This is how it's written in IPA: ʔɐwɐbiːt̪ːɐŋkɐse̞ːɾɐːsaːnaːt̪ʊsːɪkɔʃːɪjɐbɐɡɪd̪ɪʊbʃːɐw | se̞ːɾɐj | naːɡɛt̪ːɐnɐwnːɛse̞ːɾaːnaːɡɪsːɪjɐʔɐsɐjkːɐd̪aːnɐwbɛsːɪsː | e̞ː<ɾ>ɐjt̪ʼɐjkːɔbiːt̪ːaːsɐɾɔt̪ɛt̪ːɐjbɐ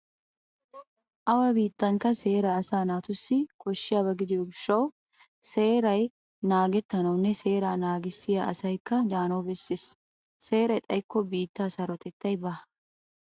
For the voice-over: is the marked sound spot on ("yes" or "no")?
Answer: yes